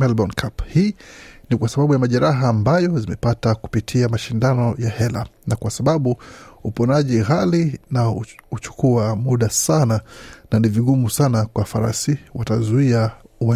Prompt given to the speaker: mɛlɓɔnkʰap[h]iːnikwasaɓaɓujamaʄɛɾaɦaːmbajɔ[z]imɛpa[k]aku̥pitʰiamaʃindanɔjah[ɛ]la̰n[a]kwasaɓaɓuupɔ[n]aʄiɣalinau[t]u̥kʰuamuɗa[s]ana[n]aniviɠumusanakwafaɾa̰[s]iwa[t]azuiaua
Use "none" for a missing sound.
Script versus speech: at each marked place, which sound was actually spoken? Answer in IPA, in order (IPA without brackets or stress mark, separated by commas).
h, z, t, ɛ, a, n, t͡ʃ, s, n, s, t